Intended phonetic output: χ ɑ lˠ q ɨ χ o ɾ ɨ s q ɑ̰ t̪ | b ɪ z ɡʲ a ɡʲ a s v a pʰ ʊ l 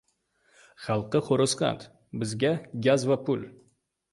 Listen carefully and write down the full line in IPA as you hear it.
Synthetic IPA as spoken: χ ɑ lˠ q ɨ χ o ɾ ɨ s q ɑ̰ t̪ | b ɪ z ɡʲ a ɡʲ a z v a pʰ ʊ l